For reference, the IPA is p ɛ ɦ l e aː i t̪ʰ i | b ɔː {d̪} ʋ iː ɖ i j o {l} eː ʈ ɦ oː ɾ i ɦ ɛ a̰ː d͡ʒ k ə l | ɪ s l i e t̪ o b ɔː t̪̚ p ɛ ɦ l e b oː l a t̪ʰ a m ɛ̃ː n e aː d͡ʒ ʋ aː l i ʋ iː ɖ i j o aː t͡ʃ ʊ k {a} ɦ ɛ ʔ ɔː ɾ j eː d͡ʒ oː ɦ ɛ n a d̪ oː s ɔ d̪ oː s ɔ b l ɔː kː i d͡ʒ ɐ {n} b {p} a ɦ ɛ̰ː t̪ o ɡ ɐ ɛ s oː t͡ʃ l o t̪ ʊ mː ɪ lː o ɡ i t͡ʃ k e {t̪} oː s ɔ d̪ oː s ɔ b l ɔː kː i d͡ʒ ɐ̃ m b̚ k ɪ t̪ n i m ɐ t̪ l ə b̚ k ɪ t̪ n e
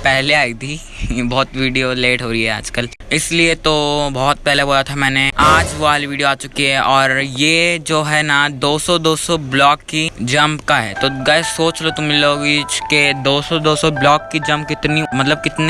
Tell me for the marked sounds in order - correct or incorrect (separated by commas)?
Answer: incorrect, correct, incorrect, incorrect, incorrect, incorrect